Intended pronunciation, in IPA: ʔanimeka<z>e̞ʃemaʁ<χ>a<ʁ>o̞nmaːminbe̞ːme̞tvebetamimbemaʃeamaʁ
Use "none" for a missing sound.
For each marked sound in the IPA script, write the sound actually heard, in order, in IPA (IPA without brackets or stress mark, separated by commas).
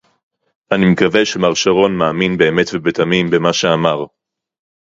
v, ʃ, ʁ